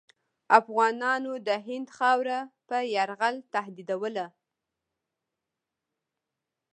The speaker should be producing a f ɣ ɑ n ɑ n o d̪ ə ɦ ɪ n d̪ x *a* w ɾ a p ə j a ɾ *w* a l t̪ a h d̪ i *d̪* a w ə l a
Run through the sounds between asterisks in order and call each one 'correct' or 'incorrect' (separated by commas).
incorrect, incorrect, correct